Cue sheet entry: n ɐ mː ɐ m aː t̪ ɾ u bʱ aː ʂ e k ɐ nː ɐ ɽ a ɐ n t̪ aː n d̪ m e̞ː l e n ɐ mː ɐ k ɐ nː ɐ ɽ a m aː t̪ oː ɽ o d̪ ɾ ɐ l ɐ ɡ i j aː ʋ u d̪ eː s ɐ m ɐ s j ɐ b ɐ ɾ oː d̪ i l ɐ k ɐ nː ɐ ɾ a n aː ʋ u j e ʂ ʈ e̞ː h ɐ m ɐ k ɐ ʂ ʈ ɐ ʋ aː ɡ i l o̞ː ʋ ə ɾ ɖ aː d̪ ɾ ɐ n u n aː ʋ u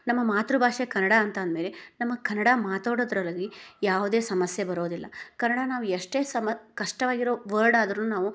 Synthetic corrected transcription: n ɐ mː ɐ m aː t̪ ɾ u bʱ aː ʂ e k ɐ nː ɐ ɽ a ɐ n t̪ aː n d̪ m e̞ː l e n ɐ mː ɐ k ɐ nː ɐ ɽ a m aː t̪ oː ɽ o d̪ ɾ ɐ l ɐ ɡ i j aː ʋ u d̪ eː s ɐ m ɐ s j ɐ b ɐ ɾ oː d̪ i lː ɐ k ɐ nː ɐ ɽ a n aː ʋ u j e ʂ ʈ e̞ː s ɐ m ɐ k ɐ ʂ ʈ ɐ ʋ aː ɡ i ɾ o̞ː ʋ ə ɾ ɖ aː d̪ ɾ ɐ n u n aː ʋ u